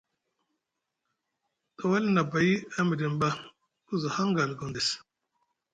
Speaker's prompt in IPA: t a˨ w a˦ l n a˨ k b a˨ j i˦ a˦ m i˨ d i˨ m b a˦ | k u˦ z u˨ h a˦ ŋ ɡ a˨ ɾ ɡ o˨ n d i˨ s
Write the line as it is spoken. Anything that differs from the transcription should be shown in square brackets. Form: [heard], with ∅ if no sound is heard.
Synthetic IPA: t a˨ w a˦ l n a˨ [∅] b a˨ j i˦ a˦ m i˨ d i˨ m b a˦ | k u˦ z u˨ h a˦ ŋ ɡ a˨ [l] ɡ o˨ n d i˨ s